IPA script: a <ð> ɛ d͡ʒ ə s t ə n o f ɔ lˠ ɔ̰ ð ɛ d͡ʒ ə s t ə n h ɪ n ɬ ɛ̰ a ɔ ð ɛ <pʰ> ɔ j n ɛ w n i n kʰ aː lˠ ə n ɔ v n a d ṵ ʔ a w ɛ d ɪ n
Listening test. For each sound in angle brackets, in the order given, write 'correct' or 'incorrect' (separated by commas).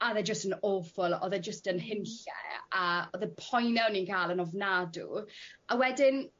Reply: correct, correct